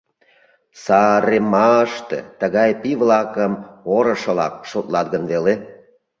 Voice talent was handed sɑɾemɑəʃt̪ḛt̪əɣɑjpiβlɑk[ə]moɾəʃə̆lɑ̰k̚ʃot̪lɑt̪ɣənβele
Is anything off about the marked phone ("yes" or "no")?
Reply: no